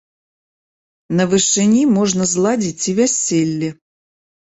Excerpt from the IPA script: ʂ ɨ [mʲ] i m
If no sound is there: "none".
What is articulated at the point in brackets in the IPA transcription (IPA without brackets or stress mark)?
nʲ